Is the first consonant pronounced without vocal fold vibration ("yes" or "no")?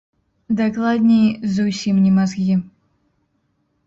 no